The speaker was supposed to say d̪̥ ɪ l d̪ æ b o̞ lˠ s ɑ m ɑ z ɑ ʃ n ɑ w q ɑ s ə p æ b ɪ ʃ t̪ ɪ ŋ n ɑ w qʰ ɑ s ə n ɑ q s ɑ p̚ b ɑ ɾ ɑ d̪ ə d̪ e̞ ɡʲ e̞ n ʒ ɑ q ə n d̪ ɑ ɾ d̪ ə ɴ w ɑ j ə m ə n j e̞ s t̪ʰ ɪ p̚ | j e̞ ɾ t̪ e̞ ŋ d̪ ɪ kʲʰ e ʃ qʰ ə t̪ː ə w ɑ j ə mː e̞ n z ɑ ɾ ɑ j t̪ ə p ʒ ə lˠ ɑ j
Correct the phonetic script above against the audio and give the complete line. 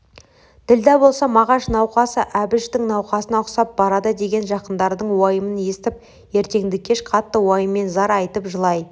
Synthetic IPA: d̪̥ ɪ l d̪ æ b o̞ lˠ s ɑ m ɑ ʁ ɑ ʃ n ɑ w q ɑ s ə ʔ æ b ɪ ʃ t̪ ɪ ŋ n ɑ w q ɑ s ə n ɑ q s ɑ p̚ b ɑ ɾ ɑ d̪ ə d̪ e̞ ɡʲ e̞ n ʒ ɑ q ə n d̪ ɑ ɾ d̪ ə ɴ w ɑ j ə m ə n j e̞ s t̪ ɪ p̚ | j e̞ ɾ t̪ e̞ ŋ d̪ ɪ kʲʰ e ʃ qʰ ɑ t̪ː ə w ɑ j ə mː e̞ n z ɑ ɾ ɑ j t̪ ə p ʒ ə lˠ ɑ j